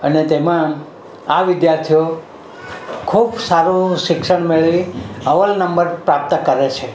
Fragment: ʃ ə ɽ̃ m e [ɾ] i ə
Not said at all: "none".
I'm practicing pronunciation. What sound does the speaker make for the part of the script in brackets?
ɭ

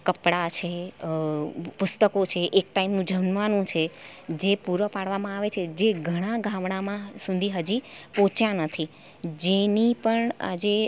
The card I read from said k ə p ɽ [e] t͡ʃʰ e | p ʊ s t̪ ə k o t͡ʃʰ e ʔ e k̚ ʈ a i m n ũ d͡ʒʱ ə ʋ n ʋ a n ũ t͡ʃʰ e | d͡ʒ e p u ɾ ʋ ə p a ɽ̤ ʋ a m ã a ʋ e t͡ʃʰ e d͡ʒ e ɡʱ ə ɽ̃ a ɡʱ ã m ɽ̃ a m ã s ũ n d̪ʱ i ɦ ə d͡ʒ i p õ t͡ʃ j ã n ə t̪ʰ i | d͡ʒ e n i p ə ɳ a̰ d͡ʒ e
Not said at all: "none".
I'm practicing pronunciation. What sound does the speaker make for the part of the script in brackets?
a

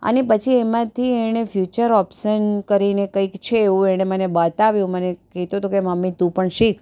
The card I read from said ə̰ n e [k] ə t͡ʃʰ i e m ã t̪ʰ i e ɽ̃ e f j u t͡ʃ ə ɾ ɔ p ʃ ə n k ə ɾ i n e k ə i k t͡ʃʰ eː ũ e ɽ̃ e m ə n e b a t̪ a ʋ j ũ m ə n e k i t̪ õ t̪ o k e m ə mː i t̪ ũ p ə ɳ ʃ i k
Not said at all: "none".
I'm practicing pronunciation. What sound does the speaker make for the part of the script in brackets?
p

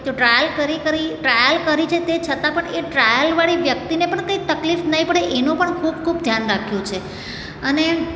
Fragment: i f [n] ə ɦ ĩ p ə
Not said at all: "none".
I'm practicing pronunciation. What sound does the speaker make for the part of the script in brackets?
n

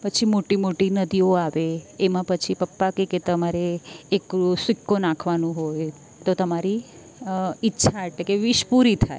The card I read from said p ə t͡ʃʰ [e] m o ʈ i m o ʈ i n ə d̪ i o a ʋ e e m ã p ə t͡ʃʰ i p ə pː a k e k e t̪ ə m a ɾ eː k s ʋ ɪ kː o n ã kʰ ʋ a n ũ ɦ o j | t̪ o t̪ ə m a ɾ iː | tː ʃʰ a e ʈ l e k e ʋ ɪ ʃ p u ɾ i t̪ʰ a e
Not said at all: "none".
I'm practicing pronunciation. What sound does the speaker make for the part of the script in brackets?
i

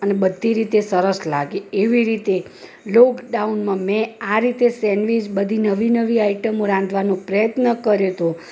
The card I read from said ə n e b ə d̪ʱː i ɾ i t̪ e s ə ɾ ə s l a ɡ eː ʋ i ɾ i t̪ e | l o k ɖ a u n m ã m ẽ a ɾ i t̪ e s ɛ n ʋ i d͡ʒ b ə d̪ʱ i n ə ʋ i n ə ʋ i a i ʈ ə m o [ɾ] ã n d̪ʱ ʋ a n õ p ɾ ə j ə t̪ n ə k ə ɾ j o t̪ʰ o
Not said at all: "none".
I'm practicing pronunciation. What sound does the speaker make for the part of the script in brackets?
ɾ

